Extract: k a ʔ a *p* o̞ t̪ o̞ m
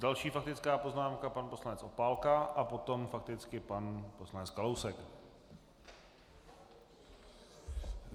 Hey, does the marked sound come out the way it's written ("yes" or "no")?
yes